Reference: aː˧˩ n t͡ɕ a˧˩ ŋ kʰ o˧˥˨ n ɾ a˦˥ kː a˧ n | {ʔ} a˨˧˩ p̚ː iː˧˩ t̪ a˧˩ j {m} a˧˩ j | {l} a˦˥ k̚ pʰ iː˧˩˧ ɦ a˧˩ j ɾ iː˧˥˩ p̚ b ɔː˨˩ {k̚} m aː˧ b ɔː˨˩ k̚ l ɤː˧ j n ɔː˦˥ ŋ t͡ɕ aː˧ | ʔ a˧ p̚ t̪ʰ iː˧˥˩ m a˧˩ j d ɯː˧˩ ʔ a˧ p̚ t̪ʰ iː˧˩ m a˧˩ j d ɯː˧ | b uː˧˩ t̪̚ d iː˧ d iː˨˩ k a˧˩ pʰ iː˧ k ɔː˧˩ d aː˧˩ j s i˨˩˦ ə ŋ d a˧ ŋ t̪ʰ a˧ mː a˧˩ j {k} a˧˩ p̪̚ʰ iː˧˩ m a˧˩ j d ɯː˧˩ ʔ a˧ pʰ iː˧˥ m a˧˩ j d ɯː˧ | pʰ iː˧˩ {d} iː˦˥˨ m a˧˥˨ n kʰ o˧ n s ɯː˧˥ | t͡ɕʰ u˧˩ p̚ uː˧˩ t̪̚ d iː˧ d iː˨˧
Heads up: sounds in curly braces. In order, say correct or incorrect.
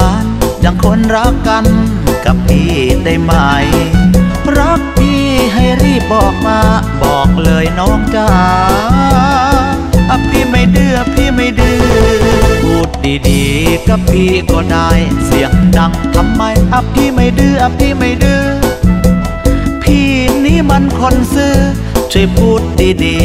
incorrect, correct, incorrect, correct, incorrect, incorrect

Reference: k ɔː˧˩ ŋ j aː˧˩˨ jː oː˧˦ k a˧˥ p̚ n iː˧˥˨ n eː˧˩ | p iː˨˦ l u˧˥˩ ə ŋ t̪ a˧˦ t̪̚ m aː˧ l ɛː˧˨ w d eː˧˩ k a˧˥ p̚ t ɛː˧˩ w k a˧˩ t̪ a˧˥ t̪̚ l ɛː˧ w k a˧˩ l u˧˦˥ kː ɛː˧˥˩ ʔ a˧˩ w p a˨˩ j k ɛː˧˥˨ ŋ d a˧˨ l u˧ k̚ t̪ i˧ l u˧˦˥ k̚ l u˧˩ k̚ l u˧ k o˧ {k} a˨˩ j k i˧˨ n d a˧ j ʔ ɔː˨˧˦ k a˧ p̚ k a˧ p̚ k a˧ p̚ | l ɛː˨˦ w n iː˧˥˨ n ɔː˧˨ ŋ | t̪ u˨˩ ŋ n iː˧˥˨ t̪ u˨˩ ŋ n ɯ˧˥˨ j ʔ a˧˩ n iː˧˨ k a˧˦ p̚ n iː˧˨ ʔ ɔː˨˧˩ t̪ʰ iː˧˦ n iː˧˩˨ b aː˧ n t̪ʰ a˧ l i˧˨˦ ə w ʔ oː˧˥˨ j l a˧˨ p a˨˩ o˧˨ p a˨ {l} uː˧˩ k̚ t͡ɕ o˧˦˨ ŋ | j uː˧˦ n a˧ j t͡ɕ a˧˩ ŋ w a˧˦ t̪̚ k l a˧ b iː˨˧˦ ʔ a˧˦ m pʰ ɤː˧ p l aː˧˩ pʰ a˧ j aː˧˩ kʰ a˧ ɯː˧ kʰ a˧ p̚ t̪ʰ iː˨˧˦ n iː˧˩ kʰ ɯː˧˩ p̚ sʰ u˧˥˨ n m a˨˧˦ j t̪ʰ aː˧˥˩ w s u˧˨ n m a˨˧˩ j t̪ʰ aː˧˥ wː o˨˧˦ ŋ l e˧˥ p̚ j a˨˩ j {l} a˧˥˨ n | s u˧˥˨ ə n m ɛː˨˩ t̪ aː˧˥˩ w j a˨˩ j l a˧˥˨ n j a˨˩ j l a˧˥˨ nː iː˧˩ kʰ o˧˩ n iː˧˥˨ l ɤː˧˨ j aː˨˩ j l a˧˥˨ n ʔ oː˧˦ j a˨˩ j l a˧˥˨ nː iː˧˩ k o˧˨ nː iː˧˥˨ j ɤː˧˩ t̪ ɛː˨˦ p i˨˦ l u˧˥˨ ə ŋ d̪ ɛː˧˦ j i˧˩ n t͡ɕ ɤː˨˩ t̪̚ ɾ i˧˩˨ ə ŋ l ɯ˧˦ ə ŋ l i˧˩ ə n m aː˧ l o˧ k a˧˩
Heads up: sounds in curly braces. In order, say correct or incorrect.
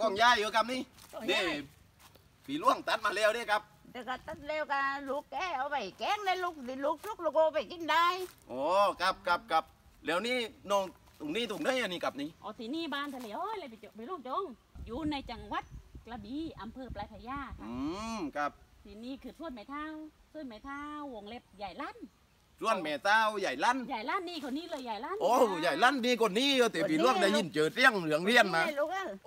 incorrect, correct, correct

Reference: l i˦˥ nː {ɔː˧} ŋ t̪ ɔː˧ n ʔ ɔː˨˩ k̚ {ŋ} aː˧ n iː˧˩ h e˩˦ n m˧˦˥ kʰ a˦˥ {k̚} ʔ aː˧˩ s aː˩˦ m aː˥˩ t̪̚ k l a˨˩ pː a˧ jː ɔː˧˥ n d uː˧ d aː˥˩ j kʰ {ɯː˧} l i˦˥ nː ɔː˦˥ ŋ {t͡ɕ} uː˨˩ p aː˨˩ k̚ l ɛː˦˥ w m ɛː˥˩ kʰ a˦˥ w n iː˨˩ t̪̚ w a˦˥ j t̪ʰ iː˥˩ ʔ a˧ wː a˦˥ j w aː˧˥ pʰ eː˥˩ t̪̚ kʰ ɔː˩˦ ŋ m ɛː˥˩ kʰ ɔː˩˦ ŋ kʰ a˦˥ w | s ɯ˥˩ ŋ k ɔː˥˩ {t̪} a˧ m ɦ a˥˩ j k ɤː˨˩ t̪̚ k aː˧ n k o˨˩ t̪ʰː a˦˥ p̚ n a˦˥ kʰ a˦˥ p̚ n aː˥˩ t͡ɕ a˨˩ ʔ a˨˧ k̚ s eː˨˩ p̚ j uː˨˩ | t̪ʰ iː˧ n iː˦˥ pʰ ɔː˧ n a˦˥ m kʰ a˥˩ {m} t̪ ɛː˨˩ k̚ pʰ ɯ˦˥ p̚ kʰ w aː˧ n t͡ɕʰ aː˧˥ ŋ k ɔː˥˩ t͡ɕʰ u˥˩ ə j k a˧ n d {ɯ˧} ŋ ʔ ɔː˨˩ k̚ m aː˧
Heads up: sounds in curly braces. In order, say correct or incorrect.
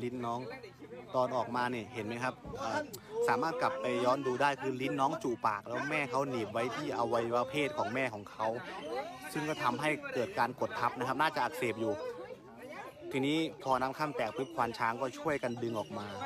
incorrect, incorrect, incorrect, correct, correct, incorrect, correct, correct

